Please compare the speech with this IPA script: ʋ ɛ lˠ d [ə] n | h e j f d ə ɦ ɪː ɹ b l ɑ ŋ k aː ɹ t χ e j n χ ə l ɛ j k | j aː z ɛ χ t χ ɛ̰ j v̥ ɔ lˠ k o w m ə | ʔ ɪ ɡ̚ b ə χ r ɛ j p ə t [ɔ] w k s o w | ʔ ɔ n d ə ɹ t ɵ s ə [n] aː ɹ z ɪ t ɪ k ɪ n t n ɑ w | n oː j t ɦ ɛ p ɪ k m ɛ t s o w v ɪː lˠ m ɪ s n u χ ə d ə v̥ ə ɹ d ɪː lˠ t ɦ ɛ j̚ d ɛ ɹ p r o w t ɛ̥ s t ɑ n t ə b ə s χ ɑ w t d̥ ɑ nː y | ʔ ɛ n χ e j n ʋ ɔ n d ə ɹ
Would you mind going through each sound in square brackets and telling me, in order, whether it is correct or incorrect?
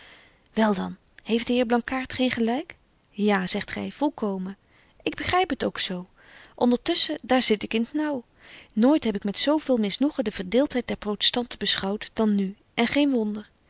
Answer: incorrect, incorrect, incorrect

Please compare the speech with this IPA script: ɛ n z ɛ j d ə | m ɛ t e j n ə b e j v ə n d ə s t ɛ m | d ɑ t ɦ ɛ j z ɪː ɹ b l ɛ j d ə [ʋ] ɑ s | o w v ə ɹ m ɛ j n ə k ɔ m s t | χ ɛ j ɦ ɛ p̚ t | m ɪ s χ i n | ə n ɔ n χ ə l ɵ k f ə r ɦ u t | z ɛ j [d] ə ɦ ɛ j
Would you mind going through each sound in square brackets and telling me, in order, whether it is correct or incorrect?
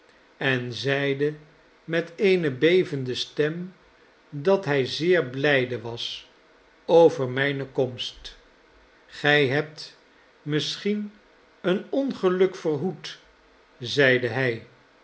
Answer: correct, correct

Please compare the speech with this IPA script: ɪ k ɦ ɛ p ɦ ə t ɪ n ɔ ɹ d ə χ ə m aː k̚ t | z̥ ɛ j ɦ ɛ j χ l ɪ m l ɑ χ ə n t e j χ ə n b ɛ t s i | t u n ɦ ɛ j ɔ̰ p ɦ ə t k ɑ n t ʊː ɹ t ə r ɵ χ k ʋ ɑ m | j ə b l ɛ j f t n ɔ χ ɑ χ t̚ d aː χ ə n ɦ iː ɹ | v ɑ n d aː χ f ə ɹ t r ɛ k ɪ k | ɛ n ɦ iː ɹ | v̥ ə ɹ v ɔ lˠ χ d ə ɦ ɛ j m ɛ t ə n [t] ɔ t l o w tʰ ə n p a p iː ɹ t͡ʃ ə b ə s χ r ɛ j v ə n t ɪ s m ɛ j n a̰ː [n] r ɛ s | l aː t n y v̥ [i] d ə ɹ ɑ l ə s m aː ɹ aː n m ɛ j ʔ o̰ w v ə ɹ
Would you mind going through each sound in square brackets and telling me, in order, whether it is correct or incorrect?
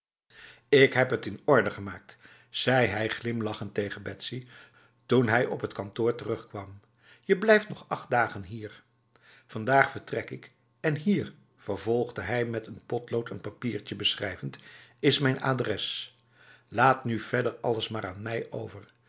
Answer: incorrect, incorrect, incorrect

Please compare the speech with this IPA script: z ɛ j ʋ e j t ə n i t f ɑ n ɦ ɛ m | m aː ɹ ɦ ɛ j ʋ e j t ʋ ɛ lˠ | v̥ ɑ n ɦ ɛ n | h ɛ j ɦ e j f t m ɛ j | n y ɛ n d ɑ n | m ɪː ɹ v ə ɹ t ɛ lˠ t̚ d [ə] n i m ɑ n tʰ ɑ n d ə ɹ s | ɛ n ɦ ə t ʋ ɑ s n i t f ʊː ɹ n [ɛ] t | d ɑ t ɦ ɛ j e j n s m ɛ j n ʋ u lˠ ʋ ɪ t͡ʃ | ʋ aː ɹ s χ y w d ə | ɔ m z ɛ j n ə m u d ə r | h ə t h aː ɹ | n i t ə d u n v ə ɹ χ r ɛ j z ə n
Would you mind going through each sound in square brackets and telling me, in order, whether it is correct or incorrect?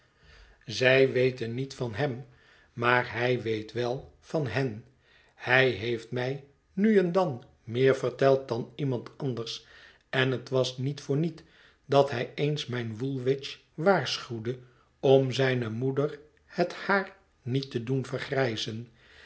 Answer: incorrect, incorrect

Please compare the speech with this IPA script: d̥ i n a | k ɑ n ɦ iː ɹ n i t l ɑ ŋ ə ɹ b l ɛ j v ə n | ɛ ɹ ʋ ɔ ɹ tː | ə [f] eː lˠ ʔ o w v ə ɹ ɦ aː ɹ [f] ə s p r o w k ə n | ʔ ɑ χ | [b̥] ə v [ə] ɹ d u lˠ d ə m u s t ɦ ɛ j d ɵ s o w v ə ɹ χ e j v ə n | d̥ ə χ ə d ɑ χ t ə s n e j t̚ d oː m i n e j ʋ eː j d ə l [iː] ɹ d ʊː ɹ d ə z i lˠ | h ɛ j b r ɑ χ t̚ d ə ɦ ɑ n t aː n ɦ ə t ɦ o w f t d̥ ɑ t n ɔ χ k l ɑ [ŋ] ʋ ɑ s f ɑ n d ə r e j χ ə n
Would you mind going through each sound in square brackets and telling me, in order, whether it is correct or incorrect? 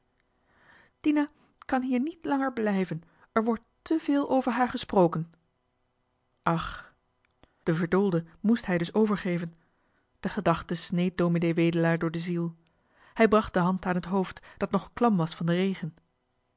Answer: incorrect, incorrect, incorrect, correct, incorrect, incorrect

